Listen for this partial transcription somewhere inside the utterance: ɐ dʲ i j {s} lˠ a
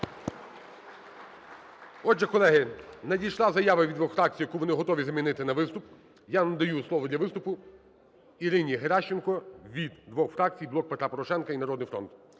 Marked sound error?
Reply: yes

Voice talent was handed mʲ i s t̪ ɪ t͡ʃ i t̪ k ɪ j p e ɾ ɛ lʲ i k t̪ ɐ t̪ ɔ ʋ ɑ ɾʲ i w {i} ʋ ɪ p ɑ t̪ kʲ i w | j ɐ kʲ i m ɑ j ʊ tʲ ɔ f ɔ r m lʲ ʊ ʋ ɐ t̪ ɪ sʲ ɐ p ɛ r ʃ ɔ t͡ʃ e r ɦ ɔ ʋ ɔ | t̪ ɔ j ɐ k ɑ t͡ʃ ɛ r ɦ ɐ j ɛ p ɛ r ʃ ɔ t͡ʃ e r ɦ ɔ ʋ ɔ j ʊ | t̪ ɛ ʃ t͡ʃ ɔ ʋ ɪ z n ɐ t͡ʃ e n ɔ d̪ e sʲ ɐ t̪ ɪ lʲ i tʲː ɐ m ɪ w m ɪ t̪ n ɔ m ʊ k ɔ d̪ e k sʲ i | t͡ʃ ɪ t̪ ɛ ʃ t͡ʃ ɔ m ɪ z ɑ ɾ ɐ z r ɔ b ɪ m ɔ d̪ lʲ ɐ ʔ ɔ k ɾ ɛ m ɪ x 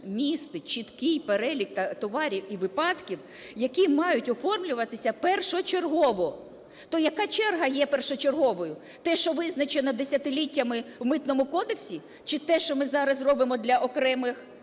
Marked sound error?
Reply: no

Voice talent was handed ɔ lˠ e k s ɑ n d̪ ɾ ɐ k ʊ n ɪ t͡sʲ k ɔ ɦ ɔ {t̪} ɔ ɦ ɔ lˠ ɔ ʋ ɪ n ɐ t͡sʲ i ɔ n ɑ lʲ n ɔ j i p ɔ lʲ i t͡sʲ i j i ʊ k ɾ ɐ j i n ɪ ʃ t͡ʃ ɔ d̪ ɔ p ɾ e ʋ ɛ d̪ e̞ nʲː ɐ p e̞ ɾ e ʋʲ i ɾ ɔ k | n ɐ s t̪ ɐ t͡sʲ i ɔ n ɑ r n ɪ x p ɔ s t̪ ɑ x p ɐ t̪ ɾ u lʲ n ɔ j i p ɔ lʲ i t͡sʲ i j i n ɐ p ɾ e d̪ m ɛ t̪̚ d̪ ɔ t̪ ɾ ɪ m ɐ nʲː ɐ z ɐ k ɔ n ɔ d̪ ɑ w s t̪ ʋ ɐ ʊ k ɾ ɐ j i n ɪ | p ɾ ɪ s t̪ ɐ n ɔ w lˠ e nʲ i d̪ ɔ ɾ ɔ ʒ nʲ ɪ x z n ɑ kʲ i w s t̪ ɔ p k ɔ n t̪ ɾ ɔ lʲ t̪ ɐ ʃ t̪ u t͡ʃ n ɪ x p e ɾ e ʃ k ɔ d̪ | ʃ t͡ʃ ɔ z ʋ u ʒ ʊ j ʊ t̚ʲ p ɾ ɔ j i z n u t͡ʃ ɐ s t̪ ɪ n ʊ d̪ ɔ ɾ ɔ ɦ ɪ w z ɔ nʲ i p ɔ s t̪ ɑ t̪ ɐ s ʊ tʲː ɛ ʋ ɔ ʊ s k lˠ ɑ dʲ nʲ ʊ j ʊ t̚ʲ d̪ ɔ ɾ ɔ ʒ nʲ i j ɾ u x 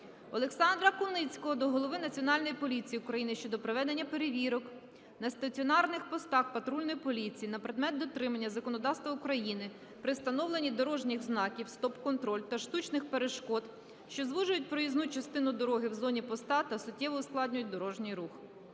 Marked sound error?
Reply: yes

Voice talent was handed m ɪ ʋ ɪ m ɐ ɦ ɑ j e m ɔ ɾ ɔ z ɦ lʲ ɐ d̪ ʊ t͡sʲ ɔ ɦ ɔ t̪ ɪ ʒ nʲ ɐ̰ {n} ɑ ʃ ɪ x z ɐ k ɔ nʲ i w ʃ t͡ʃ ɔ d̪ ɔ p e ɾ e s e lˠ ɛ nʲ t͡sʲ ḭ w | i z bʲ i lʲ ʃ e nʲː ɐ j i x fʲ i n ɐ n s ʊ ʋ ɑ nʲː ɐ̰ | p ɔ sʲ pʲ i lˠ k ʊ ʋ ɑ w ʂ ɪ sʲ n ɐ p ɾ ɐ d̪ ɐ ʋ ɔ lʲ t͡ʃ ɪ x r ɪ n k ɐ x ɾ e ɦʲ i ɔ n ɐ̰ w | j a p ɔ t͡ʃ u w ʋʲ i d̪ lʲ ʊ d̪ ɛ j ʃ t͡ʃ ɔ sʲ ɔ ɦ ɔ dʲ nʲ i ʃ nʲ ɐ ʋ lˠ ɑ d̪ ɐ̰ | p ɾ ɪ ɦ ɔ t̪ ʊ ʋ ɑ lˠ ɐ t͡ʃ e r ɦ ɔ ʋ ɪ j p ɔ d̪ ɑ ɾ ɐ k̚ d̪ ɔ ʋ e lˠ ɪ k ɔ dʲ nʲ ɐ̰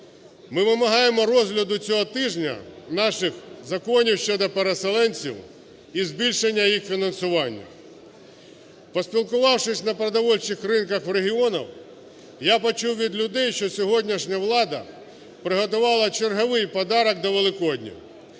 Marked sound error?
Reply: no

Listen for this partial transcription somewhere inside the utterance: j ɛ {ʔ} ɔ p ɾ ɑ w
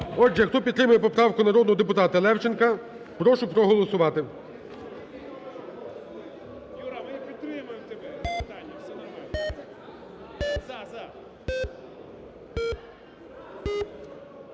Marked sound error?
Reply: yes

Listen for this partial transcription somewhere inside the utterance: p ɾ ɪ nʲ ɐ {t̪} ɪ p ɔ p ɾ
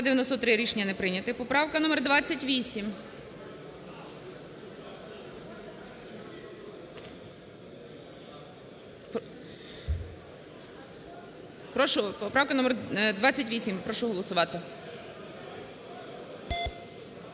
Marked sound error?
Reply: no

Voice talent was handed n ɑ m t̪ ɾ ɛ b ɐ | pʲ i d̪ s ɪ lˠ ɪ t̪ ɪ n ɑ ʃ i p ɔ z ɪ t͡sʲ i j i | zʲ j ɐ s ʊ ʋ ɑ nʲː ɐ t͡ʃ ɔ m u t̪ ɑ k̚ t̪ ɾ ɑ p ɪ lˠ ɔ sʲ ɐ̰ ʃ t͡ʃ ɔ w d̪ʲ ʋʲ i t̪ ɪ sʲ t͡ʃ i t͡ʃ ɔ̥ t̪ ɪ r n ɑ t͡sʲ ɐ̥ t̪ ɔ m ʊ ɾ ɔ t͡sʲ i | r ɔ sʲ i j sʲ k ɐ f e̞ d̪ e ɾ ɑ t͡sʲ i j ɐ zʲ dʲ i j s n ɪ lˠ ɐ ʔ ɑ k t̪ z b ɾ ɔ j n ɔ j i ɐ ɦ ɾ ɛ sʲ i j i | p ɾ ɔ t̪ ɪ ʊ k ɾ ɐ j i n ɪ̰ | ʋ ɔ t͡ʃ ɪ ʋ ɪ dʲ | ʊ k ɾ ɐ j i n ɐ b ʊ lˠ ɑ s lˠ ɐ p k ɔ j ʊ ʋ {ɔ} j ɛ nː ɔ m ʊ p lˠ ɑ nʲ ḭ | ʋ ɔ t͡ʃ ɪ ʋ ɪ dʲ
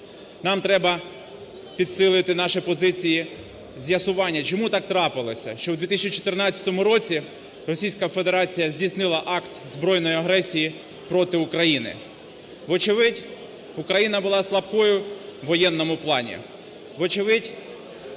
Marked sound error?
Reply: no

